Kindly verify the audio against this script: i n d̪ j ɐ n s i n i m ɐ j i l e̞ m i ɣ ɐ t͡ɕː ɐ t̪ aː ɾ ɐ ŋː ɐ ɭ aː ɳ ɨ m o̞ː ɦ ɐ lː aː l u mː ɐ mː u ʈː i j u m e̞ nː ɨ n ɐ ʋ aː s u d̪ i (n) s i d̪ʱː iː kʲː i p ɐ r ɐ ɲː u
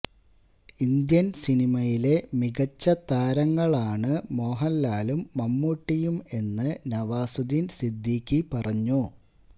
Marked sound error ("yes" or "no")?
no